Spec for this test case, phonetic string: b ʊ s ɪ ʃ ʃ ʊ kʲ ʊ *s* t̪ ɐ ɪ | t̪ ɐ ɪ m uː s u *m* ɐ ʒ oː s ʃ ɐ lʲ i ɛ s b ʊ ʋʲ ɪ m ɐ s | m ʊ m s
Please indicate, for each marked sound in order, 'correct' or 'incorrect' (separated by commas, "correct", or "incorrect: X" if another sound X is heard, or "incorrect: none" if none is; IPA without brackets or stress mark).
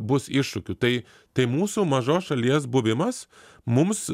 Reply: incorrect: none, correct